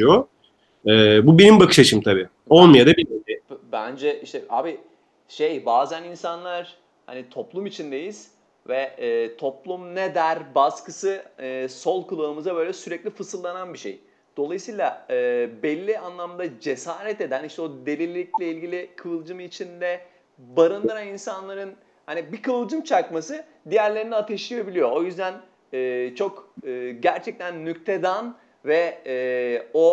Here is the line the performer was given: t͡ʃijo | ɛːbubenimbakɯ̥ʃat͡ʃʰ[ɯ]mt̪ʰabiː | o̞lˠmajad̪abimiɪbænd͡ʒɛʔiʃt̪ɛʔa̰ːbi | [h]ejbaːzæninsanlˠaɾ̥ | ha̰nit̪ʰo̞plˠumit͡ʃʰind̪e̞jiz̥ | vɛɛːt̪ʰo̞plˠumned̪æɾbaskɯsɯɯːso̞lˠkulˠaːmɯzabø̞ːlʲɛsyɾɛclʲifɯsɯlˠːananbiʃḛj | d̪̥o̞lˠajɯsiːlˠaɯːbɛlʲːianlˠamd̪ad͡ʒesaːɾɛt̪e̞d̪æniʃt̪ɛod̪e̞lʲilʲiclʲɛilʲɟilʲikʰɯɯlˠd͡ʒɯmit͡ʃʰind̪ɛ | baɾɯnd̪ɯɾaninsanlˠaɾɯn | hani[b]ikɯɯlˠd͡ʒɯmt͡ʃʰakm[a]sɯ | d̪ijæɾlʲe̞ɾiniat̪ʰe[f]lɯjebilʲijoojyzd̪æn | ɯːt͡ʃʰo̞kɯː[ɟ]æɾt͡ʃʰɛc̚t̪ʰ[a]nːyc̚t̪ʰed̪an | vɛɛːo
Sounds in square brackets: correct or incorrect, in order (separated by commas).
correct, incorrect, correct, correct, incorrect, correct, incorrect